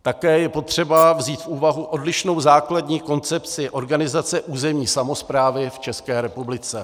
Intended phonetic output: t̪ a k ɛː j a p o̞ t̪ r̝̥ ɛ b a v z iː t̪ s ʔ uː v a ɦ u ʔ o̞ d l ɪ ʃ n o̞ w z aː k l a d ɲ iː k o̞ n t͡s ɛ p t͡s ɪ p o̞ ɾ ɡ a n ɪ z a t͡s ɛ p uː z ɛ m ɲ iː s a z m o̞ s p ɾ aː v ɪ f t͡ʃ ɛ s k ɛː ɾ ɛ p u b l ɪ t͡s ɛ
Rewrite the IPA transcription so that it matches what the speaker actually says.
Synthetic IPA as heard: t̪ a k ɛː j ɛ p o̞ t̪ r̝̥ ɛ b a v z iː t̪ f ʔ uː v a ɦ u ʔ o̞ d l ɪ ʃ n o̞ w z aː k l a d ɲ iː k o̞ n t͡s ɛ p t͡s ɪ ʔ o̞ ɾ ɡ a n ɪ z a t͡s ɛ ʔ uː z ɛ m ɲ iː s a m o̞ s p ɾ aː v ɪ f t͡ʃ ɛ s k ɛː ɾ ɛ p u b l ɪ t͡s ɛ

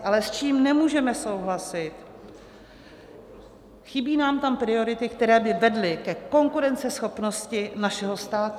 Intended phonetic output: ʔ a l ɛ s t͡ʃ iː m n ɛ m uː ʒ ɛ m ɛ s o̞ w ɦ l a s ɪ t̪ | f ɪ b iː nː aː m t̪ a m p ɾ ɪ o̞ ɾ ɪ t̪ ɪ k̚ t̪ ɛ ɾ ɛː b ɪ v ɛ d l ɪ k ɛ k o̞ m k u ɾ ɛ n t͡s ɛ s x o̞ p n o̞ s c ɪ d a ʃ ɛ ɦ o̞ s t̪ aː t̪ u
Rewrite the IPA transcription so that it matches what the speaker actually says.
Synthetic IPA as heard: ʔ a l ɛ s t͡ʃ iː m n ɛ m uː ʒ ɛ m ɛ s o̞ w ɦ l a s ɪ t̪ | x ɪ b iː n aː m t̪ a m p ɾ ɪ o̞ ɾ ɪ t̪ ɪ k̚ t̪ ɛ ɾ ɛː b ɪ v ɛ d l ɪ k ɛ k o̞ ŋ k u ɾ ɛ n t͡s ɛ s x o̞ p n o̞ s c ɪ n a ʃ ɛ ɦ o̞ s t̪ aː t̪ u

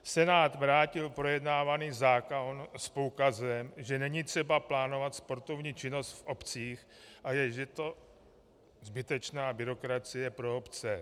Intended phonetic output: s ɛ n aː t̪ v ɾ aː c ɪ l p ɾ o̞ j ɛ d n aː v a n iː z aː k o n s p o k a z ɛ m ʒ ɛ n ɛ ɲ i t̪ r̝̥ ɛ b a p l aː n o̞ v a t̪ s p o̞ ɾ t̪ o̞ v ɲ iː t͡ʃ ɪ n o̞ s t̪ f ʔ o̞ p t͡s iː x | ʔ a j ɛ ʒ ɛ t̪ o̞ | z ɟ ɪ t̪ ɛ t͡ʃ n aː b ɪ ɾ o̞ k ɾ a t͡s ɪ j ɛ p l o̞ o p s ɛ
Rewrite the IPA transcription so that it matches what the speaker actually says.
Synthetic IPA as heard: s ɛ n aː t̪ v ɾ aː c ɪ l p ɾ o̞ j ɛ d n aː v a n iː z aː k o n s p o k a z ɛ m ʒ ɛ n ɛ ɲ i t̪ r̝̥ ɛ b a p l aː n o̞ v a t̪ s p o̞ ɾ t̪ o̞ v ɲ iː t͡ʃ ɪ n o̞ s t̪ f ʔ o̞ p t͡s iː x | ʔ a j ɛ ʒ ɛ t̪ o̞ | z b ɪ t̪ ɛ t͡ʃ n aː b ɪ ɾ o̞ k ɾ a t͡s ɪ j ɛ p ɾ o̞ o p t͡s ɛ

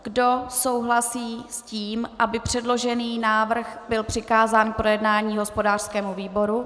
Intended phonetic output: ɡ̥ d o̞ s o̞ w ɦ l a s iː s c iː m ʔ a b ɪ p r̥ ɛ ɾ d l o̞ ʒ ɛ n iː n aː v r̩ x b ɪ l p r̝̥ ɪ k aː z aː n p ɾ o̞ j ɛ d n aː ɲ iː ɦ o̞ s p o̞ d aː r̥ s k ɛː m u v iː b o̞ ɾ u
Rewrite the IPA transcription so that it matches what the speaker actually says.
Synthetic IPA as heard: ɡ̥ d o̞ s o̞ w ɦ l a s iː s c iː m ʔ a b ɪ p r̥ ɛ d l o̞ ʒ ɛ n iː n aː v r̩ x b ɪ l p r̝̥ ɪ k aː z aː n p ɾ o̞ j ɛ d n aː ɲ iː ɦ o̞ s p o̞ d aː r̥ s k ɛː m u v iː b o̞ ɾ u

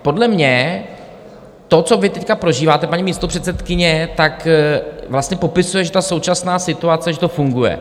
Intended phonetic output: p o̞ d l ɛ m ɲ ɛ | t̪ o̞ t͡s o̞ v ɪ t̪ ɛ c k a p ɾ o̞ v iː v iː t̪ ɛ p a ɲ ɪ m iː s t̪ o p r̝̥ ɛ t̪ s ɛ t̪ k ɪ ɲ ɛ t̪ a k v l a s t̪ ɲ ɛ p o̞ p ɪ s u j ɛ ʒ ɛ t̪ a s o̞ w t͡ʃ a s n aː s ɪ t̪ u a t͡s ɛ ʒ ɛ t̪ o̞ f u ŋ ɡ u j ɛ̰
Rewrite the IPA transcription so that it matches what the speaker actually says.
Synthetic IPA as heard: p o̞ d l ɛ m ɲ ɛ | t̪ o̞ t͡s o̞ v ɪ t̪ ɛ c k a p ɾ o̞ ʒ iː v aː t̪ ɛ p a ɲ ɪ m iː s t̪ o p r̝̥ ɛ t̪ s ɛ t̪ k ɪ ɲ ɛ t̪ a k v l a s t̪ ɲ ɛ p o̞ p ɪ s u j ɛ ʒ ɛ t̪ a s o̞ w t͡ʃ a s n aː s ɪ t̪ u a t͡s ɛ ʒ ɛ t̪ o̞ f u ŋ ɡ u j ɛ̰

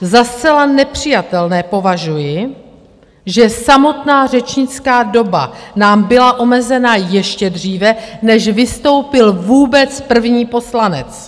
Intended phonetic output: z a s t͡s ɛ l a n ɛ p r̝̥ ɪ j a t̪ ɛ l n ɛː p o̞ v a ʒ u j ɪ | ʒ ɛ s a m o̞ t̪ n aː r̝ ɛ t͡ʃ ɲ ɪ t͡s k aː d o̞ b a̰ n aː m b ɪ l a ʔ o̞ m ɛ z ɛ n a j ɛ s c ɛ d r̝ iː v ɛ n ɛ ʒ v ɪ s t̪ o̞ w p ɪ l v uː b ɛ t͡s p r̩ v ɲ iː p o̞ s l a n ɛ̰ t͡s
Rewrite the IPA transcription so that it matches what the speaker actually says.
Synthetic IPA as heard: z a s t͡s ɛ l a n ɛ p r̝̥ ɪ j a t̪ ɛ l n ɛː p o̞ v a ʒ u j ɪ | ʒ ɛ s a m o̞ t̪ n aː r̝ ɛ t͡ʃ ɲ ɪ t͡s k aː d o̞ b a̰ n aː m b ɪ l a ʔ o̞ m ɛ z ɛ n a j ɛ ʃ c ɛ d r̝ iː v ɛ n ɛ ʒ v ɪ s t̪ o̞ w p ɪ l v uː b ɛ t͡s p r̩ v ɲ iː p o̞ s l a n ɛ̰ t͡s

